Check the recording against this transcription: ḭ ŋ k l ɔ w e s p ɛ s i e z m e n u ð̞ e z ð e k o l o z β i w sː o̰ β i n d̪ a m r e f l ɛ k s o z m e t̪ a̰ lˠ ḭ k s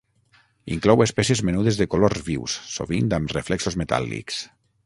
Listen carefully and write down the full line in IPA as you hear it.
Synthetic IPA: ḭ ŋ k l ɔ w e s p ɛ s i e z m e n u ð̞ e z ð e k o l o z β i w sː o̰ β i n d̪ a m r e f l ɛ k s o z m e t̪ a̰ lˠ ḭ k s